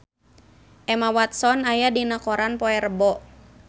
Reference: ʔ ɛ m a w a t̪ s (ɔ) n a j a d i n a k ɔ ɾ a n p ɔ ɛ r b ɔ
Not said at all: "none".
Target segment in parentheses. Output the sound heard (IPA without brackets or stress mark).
ɔ